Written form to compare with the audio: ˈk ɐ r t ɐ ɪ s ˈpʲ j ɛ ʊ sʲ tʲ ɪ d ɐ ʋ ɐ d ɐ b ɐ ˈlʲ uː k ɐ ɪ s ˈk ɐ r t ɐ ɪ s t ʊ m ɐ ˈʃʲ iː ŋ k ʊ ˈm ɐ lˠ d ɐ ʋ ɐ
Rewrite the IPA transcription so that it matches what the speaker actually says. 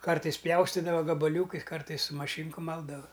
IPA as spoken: ˈk ɐ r t ɐ ɪ s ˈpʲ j ɛ ʊ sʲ tʲ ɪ d ɐ ʋ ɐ ɡ ɐ b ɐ ˈlʲ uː k ɐ ɪ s ˈk ɐ r t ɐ ɪ s s ʊ m ɐ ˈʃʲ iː ŋ k ʊ ˈm ɐ lˠ d ɐ ʋ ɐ